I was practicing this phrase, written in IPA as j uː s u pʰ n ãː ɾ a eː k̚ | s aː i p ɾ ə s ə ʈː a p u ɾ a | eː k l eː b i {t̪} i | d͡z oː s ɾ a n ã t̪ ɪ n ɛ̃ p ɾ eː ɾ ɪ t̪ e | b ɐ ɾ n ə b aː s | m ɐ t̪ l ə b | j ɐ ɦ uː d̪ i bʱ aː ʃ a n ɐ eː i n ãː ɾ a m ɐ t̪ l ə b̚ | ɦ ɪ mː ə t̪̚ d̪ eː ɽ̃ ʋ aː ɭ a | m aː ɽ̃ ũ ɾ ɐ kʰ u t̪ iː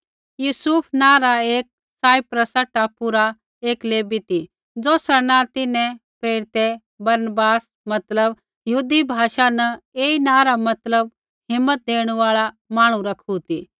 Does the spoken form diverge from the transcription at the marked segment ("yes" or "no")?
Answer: no